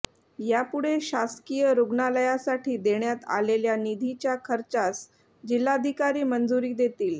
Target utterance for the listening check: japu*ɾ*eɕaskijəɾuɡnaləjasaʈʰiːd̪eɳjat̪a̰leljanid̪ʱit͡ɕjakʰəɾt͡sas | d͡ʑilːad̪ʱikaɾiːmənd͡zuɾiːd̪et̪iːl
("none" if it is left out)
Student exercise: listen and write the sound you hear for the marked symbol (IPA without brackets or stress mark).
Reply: ɽ